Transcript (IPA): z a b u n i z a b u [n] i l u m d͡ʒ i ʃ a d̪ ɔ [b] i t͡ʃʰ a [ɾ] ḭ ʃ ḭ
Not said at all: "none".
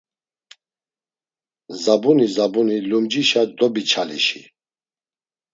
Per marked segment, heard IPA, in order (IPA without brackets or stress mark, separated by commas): n, b, l